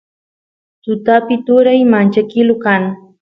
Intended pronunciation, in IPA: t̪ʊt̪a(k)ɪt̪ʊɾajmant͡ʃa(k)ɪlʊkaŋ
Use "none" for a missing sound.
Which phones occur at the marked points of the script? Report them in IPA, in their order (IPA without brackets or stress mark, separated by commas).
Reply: p, k